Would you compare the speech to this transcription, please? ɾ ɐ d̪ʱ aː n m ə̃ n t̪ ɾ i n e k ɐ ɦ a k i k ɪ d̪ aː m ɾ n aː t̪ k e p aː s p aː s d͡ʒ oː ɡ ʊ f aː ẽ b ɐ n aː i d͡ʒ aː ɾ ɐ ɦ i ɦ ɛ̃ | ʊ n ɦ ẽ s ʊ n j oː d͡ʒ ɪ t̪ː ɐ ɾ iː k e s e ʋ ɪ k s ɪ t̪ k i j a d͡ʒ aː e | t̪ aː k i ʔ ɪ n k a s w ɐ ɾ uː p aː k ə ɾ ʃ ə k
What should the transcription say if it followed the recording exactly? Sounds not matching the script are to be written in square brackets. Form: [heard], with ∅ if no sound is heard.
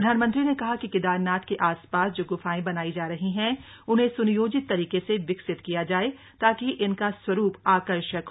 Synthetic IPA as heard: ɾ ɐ d̪ʱ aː n m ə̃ n t̪ ɾ i n e k ɐ ɦ a k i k ɪ d̪ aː [∅] ɾ n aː t̪ k e [ʔ] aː s p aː s d͡ʒ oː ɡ ʊ f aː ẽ b ɐ n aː i d͡ʒ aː ɾ ɐ ɦ i ɦ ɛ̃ | ʊ n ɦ ẽ s ʊ n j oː d͡ʒ ɪ t̪ː ɐ ɾ iː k e s e ʋ ɪ k s ɪ t̪ k i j a d͡ʒ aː e | t̪ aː k i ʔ ɪ n k a s w ɐ ɾ uː p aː k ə ɾ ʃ ə k